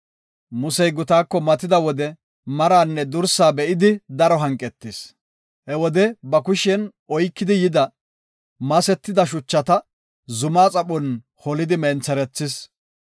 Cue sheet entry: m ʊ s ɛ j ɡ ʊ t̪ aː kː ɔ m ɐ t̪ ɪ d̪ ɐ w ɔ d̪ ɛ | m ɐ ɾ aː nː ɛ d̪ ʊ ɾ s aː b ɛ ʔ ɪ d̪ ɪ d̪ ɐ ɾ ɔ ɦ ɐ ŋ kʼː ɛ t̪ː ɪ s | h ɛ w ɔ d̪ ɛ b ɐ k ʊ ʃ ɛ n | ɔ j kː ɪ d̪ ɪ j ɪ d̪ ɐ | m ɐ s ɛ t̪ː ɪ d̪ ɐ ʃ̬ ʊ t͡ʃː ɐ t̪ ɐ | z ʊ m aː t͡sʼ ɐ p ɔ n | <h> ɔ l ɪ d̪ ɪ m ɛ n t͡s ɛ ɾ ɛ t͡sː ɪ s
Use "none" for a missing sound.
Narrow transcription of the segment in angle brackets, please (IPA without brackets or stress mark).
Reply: h